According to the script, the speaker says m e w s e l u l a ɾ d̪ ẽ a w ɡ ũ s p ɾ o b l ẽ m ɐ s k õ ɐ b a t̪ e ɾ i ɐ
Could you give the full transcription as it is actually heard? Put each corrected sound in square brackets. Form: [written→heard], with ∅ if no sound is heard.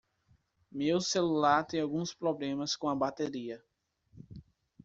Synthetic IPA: m e w s e l u l a ɾ [d̪→t̪] ẽ a w ɡ ũ s p ɾ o b l ẽ m ɐ s k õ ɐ b a t̪ e ɾ i ɐ